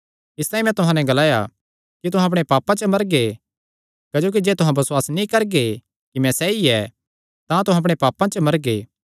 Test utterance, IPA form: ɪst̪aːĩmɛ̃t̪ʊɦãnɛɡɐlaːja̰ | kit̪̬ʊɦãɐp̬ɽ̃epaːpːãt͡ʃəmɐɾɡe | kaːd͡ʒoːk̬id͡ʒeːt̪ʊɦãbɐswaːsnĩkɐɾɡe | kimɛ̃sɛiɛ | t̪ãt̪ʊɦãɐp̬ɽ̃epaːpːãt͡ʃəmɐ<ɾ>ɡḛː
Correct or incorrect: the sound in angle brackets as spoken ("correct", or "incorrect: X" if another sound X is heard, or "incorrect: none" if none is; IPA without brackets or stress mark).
correct